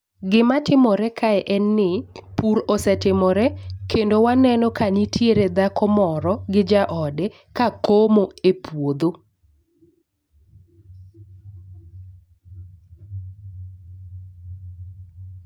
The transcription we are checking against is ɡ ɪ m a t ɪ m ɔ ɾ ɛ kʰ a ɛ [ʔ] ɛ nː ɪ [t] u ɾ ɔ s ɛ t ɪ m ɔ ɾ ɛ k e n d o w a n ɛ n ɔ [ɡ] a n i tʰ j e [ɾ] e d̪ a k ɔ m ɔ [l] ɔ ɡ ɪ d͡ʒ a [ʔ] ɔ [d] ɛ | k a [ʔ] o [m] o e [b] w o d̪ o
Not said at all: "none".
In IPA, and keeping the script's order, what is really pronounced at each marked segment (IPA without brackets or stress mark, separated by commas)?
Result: ʔ, p, k, ɾ, ɾ, ʔ, d, k, m, p